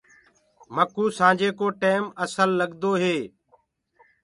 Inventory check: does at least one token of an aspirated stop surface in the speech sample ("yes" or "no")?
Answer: no